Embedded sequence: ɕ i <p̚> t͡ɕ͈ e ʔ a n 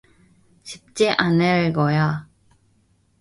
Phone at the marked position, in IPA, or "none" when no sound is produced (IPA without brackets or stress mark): p̚